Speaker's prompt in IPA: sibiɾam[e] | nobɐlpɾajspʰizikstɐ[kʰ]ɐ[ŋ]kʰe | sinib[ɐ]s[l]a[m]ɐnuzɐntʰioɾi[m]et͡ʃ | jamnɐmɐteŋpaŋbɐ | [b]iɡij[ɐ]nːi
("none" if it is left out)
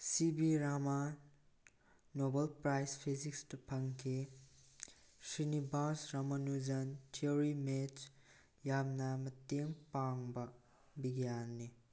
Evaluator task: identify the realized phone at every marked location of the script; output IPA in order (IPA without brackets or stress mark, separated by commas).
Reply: a, pʰ, ŋ, a, ɾ, m, m, b, a